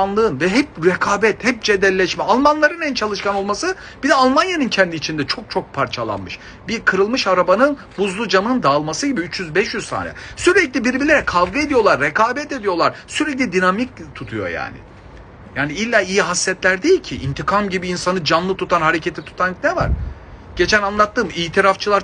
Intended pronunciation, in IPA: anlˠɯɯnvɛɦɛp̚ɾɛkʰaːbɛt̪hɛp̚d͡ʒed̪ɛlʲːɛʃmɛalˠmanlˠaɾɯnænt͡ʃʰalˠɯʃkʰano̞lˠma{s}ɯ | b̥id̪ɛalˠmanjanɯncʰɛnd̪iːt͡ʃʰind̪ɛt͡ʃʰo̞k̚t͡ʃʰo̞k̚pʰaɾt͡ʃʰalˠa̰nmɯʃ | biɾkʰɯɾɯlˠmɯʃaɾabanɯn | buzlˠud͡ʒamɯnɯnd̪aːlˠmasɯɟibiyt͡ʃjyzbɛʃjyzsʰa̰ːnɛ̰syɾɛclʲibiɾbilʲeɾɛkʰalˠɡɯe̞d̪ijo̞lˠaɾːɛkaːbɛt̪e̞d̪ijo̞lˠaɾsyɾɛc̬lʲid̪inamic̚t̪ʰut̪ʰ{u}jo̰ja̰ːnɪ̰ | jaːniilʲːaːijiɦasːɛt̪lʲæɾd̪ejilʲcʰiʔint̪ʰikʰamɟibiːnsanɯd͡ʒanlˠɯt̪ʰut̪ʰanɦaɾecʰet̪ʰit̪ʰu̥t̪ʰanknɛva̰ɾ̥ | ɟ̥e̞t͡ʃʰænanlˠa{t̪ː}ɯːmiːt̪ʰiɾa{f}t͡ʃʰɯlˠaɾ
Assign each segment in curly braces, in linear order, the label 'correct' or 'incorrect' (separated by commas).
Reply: correct, correct, correct, correct